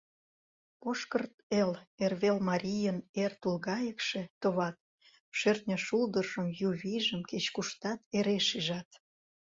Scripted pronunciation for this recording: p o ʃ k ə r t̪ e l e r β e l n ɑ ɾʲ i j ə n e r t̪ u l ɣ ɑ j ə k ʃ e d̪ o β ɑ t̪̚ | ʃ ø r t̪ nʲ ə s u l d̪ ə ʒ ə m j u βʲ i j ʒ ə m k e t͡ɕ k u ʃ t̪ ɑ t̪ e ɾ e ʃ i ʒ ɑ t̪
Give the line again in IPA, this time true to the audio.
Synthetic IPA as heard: p o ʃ k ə r t̪ e l e r β e l m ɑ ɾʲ i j ə n e r t̪ u l ɣ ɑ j ə k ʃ e t̪ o β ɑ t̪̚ | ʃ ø r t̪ nʲ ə ʃ u l d̪ ə ʒ ə m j u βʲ i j ʒ ə m k e t͡ɕ k u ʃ t̪ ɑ t̪ e ɾ e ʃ i ʒ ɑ t̪